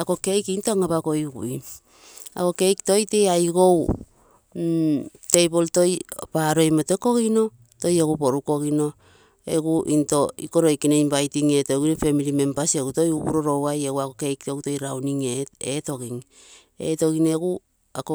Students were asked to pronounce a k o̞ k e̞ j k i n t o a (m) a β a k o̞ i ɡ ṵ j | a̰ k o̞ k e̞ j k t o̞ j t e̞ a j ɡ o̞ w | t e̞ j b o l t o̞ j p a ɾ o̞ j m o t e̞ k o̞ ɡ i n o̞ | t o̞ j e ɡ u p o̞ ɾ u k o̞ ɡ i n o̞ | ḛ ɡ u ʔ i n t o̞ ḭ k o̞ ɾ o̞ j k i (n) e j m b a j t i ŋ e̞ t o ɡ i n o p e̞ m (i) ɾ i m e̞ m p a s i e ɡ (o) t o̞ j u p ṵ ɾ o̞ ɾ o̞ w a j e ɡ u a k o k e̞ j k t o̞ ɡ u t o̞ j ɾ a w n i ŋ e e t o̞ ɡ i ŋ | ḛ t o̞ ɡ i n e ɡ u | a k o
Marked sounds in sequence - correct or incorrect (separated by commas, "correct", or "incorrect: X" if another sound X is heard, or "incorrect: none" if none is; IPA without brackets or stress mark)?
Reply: incorrect: ŋ, correct, correct, incorrect: u